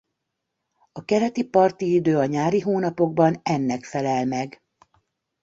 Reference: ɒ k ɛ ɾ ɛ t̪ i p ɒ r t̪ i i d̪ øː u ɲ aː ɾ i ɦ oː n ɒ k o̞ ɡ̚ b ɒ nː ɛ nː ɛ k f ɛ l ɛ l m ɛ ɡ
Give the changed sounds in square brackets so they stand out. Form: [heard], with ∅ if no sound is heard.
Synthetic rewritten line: ɒ k ɛ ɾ ɛ t̪ i p ɒ r t̪ i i d̪ øː [ɒ] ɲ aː ɾ i ɦ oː n ɒ [p] o̞ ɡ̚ b ɒ [n] ɛ nː ɛ k f ɛ l ɛ l m ɛ ɡ